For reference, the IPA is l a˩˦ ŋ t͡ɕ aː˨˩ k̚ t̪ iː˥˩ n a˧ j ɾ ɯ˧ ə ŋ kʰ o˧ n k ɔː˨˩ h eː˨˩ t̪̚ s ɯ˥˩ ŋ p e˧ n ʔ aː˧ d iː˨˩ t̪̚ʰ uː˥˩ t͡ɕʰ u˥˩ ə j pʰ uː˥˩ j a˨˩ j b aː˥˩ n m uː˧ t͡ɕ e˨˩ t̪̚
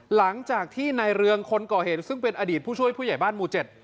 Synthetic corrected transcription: l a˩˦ ŋ t͡ɕ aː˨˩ k̚ t̪ʰ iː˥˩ n a˧ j ɾ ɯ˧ ə ŋ kʰ o˧ n k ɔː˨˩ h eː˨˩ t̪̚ s ɯ˥˩ ŋ p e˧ n ʔ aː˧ d iː˨˩ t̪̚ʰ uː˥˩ t͡ɕʰ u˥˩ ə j pʰ uː˥˩ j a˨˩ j b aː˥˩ n m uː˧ t͡ɕ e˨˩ t̪̚